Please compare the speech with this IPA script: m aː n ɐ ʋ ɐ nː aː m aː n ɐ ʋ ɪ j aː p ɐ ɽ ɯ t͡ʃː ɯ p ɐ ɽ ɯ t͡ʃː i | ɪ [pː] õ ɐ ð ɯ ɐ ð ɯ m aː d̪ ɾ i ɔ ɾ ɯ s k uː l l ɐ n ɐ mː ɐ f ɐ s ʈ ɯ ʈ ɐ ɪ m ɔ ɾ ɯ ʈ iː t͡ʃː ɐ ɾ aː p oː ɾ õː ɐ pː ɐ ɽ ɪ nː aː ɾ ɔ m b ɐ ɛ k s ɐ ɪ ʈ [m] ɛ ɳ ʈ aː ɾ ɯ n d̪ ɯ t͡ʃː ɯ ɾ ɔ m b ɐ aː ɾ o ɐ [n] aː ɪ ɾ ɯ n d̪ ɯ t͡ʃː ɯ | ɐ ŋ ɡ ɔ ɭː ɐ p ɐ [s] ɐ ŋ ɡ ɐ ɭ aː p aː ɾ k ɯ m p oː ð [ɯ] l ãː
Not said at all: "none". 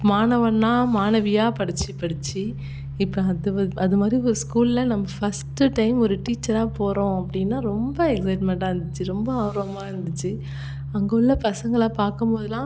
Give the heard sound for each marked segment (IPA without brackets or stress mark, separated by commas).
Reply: pː, m, m, s, ɯ